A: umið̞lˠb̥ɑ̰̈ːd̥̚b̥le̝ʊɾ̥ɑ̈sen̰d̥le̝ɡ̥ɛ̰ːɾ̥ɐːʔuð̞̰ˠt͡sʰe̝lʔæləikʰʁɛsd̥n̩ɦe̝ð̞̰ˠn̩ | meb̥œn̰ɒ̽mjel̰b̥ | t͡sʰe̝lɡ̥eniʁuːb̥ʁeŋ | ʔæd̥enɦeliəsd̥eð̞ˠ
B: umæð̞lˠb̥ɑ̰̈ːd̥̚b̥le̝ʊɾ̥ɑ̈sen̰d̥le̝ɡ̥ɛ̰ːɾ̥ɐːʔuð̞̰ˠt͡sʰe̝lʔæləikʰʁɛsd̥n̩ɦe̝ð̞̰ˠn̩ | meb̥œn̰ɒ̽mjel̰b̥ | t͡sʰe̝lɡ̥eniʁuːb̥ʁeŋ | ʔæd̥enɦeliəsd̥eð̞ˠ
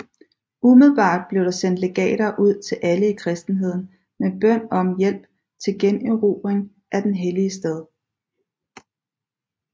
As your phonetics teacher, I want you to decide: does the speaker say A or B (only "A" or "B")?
A